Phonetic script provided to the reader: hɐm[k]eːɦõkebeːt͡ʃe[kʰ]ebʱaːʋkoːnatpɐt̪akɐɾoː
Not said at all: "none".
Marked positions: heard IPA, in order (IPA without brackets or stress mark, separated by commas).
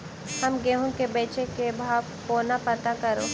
ɡ, k